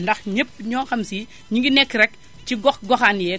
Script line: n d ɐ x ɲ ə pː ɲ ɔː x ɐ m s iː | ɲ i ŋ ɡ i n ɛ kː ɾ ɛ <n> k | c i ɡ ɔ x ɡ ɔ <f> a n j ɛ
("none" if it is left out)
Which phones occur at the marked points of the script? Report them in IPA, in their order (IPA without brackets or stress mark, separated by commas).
none, x